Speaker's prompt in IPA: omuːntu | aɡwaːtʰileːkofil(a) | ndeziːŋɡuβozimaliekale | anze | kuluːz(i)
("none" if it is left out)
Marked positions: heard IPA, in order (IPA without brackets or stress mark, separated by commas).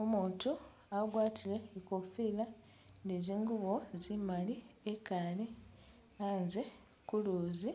a, i